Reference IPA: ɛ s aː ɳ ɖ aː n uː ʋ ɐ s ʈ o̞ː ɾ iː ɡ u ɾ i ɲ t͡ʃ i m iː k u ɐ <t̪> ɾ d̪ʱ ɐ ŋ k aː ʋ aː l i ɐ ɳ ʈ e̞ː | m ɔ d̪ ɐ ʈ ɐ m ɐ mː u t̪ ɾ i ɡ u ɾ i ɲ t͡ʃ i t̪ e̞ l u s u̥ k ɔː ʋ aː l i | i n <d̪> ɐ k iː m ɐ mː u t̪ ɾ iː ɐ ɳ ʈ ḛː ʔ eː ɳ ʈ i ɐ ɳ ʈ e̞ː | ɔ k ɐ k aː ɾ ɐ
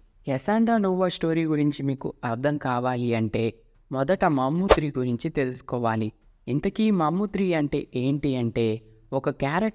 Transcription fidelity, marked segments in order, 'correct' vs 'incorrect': incorrect: none, incorrect: t̪

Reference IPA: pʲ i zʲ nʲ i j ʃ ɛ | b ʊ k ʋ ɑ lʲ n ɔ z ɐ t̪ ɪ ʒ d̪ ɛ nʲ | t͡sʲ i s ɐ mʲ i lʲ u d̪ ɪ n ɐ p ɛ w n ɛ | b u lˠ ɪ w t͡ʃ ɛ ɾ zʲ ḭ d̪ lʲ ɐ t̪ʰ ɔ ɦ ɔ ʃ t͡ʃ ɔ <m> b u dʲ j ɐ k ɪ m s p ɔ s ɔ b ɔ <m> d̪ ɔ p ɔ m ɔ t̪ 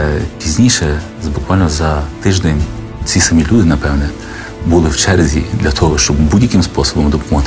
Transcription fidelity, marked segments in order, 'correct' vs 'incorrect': incorrect: b, correct

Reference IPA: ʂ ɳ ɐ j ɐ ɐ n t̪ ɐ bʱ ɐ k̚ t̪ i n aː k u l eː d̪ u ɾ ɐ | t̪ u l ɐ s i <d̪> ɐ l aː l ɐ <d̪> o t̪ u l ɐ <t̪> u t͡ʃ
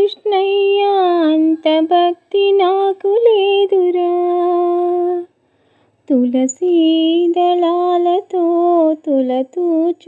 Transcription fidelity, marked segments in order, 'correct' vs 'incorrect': correct, incorrect: t̪, correct

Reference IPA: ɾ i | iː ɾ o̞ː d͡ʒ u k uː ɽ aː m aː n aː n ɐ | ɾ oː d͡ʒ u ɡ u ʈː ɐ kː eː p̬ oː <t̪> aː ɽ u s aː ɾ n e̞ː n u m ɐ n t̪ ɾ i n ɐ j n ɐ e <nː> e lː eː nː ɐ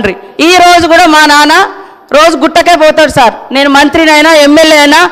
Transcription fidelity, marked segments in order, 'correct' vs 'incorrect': correct, incorrect: mː

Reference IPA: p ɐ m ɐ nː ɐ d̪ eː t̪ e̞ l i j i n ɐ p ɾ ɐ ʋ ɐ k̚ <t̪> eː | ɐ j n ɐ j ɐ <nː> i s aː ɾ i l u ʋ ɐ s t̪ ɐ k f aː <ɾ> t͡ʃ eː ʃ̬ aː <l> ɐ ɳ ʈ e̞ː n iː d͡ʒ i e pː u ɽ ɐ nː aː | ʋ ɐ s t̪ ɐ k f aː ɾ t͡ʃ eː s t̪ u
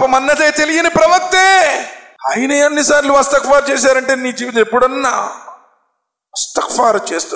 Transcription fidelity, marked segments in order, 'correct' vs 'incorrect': correct, correct, correct, incorrect: ɾ

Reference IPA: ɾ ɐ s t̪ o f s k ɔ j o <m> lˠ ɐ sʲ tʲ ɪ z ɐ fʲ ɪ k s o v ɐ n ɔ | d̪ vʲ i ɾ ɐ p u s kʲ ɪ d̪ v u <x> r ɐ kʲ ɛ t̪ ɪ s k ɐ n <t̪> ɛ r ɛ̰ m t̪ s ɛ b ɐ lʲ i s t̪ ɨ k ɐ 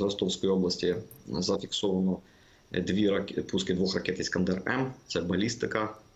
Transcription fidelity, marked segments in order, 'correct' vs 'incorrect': incorrect: b, correct, incorrect: d̪

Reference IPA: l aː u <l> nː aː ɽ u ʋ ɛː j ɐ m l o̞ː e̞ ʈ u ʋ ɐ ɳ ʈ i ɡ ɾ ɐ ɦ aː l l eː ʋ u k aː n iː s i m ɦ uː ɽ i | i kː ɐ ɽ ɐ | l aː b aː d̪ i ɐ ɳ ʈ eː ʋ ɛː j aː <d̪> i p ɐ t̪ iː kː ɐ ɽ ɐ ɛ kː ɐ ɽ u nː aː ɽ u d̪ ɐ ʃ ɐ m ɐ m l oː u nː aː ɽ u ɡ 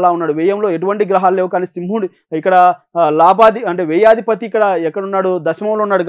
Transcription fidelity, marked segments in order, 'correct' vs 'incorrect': incorrect: none, correct

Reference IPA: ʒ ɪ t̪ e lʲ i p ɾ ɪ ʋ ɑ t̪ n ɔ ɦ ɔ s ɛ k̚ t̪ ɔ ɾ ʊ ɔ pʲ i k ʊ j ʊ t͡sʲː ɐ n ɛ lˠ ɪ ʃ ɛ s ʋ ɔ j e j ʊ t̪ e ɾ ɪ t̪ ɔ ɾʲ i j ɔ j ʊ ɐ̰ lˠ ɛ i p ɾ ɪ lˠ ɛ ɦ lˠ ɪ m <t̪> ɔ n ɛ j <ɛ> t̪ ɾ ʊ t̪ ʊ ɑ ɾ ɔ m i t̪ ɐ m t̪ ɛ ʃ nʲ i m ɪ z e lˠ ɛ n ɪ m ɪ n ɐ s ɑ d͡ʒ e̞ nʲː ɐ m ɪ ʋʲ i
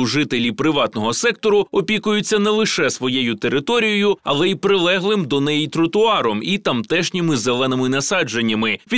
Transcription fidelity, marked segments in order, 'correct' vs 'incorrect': incorrect: d̪, incorrect: i

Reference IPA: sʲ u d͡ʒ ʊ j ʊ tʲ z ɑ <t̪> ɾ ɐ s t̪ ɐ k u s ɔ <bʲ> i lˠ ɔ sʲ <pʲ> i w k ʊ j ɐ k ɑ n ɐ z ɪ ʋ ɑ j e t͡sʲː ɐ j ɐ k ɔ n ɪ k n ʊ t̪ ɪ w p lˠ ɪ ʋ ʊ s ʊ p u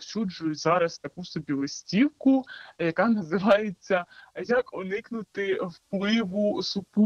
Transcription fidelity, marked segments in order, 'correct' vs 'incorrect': incorrect: none, correct, incorrect: tʲ

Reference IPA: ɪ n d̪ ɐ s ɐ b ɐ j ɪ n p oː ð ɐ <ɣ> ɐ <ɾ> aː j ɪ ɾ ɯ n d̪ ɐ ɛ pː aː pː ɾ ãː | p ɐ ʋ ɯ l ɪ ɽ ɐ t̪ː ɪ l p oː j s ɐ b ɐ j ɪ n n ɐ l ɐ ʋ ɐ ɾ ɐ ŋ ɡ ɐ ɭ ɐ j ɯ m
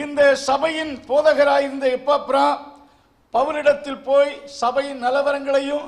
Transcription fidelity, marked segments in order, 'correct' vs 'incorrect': correct, correct

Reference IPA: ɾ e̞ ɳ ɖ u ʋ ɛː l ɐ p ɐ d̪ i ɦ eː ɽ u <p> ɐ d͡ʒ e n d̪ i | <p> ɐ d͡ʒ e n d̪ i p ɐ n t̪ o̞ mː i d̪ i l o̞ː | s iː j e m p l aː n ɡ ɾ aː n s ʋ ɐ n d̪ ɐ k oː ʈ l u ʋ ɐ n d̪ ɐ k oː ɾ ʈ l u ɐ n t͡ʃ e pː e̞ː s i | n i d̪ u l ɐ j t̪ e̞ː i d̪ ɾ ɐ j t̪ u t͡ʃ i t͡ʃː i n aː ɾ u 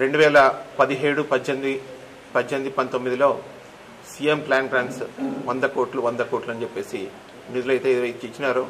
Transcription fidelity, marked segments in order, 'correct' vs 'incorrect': correct, correct

